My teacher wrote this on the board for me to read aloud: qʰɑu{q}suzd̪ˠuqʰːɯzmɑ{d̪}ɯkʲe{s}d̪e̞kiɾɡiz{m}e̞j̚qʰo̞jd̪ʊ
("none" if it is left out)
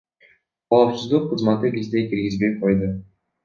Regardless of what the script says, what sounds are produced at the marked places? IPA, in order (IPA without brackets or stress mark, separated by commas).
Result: p, t̪, z, b